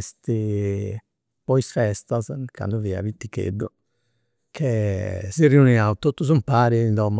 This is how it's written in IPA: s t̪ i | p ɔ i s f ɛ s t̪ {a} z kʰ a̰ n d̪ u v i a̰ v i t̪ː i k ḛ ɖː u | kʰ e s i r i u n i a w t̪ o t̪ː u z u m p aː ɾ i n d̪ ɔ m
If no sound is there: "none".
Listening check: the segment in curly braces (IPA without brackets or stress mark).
a